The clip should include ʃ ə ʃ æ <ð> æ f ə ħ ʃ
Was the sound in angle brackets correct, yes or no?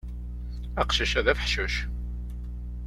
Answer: yes